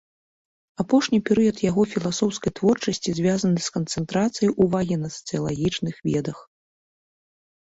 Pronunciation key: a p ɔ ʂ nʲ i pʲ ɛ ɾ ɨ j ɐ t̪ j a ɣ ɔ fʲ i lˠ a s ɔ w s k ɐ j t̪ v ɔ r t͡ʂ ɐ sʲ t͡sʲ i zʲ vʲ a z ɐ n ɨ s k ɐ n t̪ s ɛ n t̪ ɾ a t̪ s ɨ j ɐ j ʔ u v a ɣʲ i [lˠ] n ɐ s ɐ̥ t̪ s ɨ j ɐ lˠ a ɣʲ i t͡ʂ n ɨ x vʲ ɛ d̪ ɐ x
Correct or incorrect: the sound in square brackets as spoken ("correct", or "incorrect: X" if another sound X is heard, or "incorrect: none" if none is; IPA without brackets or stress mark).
incorrect: none